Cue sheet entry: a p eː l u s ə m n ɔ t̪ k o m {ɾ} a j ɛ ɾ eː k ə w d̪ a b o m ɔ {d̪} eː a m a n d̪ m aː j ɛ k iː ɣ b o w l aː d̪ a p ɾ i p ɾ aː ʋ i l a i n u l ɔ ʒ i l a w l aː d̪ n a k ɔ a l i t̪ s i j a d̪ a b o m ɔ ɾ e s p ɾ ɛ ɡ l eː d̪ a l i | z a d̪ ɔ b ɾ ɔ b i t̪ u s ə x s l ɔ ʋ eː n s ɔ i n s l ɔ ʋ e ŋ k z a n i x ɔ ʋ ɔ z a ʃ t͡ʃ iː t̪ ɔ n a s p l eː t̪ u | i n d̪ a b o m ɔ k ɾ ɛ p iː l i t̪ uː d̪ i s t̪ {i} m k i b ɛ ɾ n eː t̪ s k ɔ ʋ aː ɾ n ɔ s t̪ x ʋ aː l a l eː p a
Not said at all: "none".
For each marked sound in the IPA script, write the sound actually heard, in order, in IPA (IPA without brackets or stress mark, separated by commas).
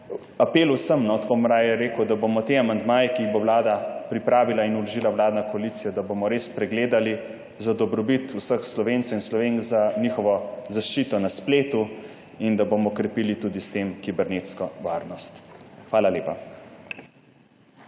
ɾ, t̪, e